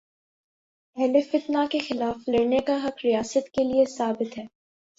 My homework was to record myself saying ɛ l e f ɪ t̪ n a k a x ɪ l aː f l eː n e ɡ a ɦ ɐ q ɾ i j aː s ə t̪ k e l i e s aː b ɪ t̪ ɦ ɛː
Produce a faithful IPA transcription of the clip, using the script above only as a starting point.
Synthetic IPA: ɛ l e f ɪ t̪ n a k e x ɪ l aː f l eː n e k a ɦ ɐ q ɾ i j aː s ə t̪ k e l i e s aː b ɪ t̪ ɦ ɛː

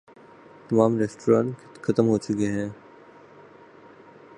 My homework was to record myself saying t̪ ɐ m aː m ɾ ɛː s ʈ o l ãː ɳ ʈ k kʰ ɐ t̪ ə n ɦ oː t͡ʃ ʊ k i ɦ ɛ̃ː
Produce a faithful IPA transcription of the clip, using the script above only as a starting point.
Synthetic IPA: t̪ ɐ m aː m ɾ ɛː s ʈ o ɾ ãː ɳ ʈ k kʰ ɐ t̪ ə m ɦ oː t͡ʃ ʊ k e ɦ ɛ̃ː

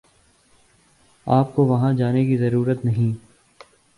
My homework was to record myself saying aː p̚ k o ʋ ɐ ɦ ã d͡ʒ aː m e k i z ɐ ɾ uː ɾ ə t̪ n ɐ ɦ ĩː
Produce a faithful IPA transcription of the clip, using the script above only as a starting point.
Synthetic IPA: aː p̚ k o ʋ ɐ ɦ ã d͡ʒ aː n e k i z ɐ ɾ uː ɾ ə t̪ n ɐ ɦ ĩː

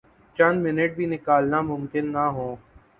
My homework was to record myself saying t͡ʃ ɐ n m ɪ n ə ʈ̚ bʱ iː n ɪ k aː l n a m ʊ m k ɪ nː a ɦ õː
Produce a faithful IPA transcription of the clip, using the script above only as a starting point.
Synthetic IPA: t͡ʃ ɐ n m ɪ n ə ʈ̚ bʱ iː n ɪ k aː l n a m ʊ m k ɪ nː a ɦ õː

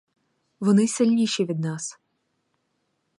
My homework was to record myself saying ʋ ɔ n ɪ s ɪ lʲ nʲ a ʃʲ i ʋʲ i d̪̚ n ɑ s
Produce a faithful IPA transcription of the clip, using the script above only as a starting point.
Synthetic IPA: ʋ ɔ n ɪ s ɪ lʲ nʲ i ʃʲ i ʋʲ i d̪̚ n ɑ s

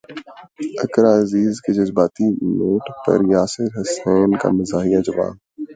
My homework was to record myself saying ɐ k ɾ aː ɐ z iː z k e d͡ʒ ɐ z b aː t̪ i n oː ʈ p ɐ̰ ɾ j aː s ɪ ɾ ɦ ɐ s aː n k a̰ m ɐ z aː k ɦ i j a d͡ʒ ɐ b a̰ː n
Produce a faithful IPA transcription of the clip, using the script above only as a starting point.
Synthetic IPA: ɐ k ɾ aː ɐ z iː z k e d͡ʒ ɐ z b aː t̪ i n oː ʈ p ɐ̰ ɾ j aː s ɪ ɾ ɦ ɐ s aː n k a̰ m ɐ z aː ɦ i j a d͡ʒ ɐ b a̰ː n

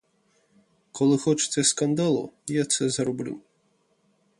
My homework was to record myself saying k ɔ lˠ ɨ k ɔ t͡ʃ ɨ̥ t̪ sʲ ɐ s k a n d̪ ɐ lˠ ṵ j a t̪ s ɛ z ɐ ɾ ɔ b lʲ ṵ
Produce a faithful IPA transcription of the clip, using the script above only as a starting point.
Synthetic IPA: k ɔ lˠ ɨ x ɔ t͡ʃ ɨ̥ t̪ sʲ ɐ s k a n d̪ a lˠ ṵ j a t̪ s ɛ z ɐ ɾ ɔ b lʲ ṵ

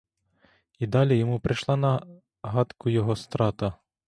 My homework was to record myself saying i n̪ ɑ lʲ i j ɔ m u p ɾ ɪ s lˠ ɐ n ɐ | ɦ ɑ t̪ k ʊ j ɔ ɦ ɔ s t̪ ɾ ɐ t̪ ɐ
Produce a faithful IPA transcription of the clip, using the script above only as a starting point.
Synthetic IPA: i d̪ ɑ lʲ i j ɔ m u p ɾ ɪ ʃ lˠ ɑ n ɐ | ɦ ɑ t̪ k ʊ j ɔ ɦ ɔ s t̪ ɾ ɑ t̪ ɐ

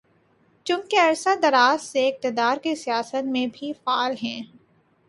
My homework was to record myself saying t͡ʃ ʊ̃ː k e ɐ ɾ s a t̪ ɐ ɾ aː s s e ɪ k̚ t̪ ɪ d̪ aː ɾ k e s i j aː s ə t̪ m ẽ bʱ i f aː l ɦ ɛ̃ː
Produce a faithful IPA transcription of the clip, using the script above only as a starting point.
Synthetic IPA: t͡ʃ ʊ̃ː k e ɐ ɾ s a d̪ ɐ ɾ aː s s e ɪ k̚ t̪ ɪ d̪ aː ɾ k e s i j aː s ə t̪ m ẽ bʱ i f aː l ɦ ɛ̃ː

